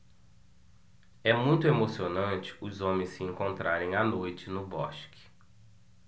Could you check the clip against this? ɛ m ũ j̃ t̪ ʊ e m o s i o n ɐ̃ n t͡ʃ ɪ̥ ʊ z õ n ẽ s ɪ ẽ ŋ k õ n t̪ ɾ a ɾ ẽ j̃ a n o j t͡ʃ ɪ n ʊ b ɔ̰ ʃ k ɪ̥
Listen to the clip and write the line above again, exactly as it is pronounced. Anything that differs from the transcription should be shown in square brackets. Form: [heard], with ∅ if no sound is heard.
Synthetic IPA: ɛ m ũ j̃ t̪ ʊ e m o s i o n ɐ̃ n t͡ʃ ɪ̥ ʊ z õ [m] ẽ s ɪ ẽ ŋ k õ n t̪ ɾ a ɾ ẽ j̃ a n o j t͡ʃ ɪ n ʊ b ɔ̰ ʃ k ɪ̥